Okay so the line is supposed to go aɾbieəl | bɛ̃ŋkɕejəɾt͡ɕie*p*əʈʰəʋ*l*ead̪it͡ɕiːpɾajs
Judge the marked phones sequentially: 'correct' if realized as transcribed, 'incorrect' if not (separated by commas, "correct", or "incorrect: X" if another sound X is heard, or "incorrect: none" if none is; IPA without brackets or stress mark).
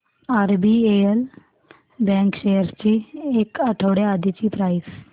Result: incorrect: k, incorrect: ɽ